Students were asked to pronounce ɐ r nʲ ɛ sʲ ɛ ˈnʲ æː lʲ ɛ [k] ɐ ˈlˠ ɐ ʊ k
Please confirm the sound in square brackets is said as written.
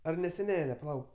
no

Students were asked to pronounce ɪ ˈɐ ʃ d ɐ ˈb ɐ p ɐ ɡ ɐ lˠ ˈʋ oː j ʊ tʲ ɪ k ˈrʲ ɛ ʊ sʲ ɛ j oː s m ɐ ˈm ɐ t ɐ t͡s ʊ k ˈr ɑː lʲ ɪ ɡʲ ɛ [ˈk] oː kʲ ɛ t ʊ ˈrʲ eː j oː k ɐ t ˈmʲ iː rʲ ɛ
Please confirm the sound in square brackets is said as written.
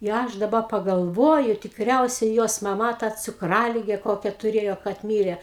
yes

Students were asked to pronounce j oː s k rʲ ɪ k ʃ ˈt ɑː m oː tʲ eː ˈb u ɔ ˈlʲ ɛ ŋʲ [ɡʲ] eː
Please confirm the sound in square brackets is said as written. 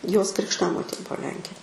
no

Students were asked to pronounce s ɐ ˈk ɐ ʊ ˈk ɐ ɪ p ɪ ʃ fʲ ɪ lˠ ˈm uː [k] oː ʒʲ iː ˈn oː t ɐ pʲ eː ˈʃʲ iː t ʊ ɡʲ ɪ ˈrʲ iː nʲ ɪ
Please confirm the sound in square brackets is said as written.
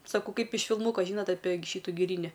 yes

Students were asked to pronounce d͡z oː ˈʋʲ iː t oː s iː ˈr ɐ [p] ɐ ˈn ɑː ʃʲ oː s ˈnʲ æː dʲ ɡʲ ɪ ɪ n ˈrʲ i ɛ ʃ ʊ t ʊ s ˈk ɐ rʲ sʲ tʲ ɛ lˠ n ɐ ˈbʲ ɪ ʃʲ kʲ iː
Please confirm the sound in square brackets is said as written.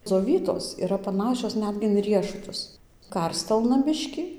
yes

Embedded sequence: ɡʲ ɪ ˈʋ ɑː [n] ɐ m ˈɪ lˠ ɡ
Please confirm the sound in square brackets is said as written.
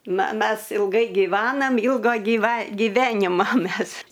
yes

